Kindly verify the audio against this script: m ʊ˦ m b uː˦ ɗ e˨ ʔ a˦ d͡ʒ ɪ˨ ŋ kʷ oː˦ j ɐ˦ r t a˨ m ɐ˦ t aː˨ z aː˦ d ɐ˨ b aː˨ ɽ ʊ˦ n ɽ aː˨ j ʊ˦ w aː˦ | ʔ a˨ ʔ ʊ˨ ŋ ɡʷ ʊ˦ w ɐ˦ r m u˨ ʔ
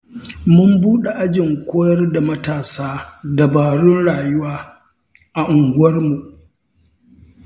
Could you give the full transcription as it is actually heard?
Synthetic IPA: m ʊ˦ m b uː˦ ɗ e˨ ʔ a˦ d͡ʒ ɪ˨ ŋ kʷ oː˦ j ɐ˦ r d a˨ m ɐ˦ t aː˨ s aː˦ d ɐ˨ b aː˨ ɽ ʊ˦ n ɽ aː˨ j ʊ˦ w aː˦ | ʔ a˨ ʔ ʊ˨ ŋ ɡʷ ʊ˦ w ɐ˦ r m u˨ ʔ